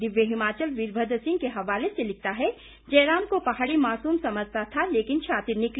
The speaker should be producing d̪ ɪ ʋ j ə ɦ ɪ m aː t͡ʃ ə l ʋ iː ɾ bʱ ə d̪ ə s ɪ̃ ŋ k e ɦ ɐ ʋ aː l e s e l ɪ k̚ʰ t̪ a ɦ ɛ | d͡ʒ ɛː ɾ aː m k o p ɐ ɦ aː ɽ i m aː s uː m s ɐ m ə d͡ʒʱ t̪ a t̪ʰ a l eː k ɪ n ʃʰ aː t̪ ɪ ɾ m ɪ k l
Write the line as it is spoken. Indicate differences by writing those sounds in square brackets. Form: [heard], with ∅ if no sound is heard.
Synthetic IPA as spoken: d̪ ɪ ʋ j ə ɦ ɪ m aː t͡ʃ ə l ʋ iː ɾ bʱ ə d̪ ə s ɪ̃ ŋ k e ɦ ɐ ʋ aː l e s e l ɪ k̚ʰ t̪ a ɦ ɛ | d͡ʒ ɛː ɾ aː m k o p ɐ ɦ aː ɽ i m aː s uː m s ɐ m ə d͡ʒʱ t̪ a t̪ʰ a l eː k ɪ n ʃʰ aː t̪ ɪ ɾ [n] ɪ k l